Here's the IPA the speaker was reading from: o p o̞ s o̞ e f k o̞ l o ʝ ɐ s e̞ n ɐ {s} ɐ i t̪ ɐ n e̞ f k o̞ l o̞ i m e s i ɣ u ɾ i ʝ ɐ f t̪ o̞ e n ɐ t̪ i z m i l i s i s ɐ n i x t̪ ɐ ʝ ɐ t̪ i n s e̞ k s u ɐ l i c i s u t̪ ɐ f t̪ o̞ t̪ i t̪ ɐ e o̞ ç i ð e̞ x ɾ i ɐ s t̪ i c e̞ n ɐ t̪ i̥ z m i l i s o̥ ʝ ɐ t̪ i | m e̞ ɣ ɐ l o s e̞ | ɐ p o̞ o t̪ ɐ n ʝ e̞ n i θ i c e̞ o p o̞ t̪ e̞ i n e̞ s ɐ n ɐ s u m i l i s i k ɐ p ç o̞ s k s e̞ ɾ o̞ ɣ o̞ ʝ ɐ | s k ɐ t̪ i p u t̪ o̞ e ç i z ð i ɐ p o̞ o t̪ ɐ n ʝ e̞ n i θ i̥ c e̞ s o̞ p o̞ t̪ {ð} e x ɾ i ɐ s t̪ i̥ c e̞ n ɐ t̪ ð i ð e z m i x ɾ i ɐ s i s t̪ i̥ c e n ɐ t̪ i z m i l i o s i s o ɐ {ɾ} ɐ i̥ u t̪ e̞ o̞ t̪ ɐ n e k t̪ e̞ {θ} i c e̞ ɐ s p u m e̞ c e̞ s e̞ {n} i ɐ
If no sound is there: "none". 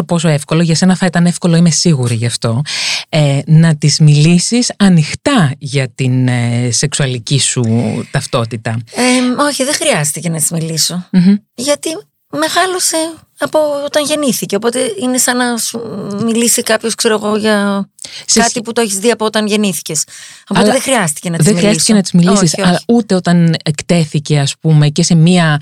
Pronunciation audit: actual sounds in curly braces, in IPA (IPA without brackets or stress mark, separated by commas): θ, ð, l, θ, m